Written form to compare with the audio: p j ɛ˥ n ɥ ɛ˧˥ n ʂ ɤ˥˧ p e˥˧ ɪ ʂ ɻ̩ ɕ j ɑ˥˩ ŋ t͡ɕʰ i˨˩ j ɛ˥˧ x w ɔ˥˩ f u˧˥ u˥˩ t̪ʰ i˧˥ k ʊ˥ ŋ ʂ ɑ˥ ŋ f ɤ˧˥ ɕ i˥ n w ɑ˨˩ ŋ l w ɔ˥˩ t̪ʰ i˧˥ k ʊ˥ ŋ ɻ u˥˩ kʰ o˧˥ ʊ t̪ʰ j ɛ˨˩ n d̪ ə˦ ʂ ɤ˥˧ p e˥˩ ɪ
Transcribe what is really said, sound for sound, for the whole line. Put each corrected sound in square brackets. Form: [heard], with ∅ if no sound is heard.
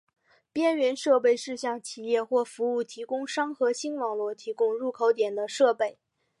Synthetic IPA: p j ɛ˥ n ɥ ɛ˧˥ n ʂ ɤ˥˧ p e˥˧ ɪ ʂ ɻ̩ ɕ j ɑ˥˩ ŋ t͡ɕʰ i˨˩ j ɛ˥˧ x w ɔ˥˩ f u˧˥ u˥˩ t̪ʰ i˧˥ k ʊ˥ ŋ ʂ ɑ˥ ŋ [x] ɤ˧˥ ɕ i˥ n w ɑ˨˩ ŋ l w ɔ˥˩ t̪ʰ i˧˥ k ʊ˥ ŋ ɻ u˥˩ kʰ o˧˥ ʊ [t̪] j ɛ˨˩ n d̪ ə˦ ʂ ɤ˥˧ p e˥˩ ɪ

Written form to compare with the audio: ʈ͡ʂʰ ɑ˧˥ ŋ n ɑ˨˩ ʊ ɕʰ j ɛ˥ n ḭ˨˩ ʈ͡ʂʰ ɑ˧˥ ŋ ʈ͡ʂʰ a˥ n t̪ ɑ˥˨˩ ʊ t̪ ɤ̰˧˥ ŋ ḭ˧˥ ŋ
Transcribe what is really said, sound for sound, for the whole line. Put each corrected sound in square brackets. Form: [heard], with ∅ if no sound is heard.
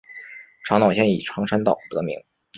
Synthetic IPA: ʈ͡ʂʰ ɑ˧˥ ŋ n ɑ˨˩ ʊ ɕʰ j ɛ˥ n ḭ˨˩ ʈ͡ʂʰ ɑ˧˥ ŋ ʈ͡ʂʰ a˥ n t̪ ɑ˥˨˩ ʊ t̪ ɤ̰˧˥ [m] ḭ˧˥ ŋ

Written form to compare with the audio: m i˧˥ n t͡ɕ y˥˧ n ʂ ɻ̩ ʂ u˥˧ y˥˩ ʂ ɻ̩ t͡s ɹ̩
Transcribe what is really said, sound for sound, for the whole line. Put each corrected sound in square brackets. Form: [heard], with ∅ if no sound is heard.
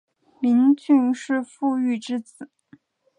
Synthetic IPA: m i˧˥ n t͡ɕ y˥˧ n ʂ ɻ̩ [f] u˥˧ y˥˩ [ʈ͡ʂ] ɻ̩ t͡s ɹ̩

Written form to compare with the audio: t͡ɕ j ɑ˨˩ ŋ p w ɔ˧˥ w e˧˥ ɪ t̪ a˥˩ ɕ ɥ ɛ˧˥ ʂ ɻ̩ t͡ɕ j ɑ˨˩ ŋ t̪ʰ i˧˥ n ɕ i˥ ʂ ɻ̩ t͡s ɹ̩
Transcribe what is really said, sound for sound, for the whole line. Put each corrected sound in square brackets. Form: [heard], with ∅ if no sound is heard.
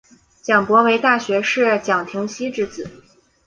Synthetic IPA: t͡ɕ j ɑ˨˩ ŋ p w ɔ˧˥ w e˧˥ ɪ t̪ a˥˩ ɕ ɥ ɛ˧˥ ʂ ɻ̩ t͡ɕ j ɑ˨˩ ŋ t̪ʰ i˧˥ [ŋ] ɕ i˥ [ʈ͡ʂ] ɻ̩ t͡s ɹ̩

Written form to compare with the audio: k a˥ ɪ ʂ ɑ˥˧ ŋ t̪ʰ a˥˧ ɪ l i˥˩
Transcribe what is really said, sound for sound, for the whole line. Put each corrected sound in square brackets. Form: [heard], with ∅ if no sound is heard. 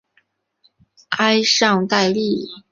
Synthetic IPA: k a˥ ɪ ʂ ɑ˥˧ ŋ [t̪] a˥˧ ɪ l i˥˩

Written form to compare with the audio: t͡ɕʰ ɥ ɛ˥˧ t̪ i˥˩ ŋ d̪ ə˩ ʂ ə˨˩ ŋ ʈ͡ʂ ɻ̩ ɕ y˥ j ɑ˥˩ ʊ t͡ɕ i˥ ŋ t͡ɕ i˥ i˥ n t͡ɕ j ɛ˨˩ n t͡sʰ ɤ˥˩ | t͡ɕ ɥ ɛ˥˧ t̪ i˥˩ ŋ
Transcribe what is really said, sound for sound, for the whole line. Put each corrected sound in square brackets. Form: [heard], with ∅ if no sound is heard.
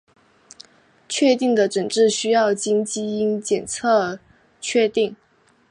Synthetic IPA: t͡ɕʰ ɥ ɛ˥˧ t̪ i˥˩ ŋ d̪ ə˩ [ʈ͡ʂ] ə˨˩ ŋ ʈ͡ʂ ɻ̩ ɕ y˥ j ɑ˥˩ ʊ t͡ɕ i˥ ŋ t͡ɕ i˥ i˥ n t͡ɕ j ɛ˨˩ n t͡sʰ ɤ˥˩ | [t͡ɕʰ] ɥ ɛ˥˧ t̪ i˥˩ ŋ

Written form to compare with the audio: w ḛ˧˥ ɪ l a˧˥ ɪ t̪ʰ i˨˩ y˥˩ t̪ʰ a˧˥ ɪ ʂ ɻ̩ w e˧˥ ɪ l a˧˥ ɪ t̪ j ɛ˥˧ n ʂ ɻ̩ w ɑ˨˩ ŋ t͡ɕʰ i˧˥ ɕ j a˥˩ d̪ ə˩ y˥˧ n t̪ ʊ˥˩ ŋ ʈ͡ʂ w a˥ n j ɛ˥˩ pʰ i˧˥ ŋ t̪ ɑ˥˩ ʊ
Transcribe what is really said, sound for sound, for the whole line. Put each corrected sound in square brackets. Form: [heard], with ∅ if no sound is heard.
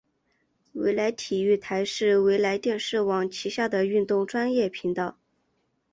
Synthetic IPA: w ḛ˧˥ ɪ l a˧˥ ɪ t̪ʰ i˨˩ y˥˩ t̪ʰ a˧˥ ɪ ʂ ɻ̩ w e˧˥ ɪ l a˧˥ ɪ t̪ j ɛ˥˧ n ʂ ɻ̩ w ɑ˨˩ ŋ t͡ɕʰ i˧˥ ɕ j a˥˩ d̪ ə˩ y˥˧ n t̪ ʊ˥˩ ŋ ʈ͡ʂ w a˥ n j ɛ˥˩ pʰ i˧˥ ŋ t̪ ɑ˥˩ ʊ

